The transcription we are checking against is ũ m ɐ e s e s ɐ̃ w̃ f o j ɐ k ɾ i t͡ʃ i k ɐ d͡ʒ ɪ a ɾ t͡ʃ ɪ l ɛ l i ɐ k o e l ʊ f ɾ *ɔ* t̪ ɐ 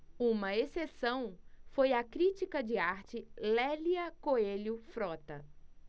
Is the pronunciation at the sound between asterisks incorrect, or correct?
correct